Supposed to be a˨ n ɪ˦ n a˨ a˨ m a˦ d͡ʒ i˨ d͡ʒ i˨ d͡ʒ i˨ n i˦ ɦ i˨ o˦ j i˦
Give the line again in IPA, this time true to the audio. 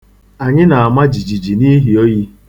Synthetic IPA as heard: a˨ ɲ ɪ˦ n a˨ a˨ m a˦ d͡ʒ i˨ d͡ʒ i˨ d͡ʒ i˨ n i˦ ɦ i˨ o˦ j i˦